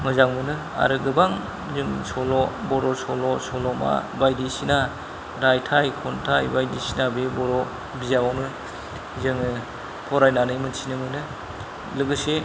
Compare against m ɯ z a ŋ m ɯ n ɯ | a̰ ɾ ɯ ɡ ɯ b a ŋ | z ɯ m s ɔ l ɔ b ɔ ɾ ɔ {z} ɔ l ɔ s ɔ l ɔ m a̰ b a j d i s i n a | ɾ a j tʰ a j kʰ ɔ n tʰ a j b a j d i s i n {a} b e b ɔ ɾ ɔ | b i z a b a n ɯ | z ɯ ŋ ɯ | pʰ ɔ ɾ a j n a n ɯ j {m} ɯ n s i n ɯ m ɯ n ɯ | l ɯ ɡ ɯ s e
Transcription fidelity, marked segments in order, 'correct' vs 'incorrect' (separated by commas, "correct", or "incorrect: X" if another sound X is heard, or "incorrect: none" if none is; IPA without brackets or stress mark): incorrect: s, correct, correct